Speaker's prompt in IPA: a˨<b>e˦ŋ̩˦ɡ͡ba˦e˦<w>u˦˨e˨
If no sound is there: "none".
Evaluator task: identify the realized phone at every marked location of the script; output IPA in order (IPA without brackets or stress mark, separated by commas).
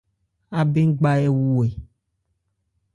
b, w